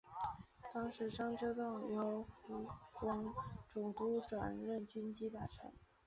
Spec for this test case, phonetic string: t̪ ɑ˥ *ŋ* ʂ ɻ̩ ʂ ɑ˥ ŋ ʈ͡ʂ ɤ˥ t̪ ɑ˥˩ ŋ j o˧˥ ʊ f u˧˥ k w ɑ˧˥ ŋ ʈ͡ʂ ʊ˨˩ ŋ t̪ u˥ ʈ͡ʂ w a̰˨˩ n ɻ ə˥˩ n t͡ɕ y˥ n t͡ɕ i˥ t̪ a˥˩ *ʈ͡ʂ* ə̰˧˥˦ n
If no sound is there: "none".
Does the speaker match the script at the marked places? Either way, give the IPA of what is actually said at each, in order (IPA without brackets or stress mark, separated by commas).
ŋ, ʈ͡ʂʰ